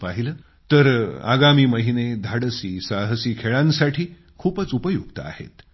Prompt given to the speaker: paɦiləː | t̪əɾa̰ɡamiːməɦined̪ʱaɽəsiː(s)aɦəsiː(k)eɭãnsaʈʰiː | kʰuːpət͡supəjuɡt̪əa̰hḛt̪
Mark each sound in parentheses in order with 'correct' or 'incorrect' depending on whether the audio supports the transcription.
correct, incorrect: kʰ

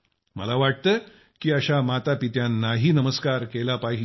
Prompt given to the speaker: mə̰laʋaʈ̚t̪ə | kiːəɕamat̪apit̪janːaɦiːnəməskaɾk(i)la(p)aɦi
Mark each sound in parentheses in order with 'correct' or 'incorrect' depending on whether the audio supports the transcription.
incorrect: e, correct

